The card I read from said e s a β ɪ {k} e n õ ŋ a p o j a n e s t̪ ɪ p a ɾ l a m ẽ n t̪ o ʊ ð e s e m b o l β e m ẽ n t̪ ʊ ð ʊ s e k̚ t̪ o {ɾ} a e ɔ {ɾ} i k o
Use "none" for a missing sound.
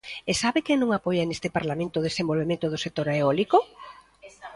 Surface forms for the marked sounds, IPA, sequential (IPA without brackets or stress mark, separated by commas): k, ɾ, l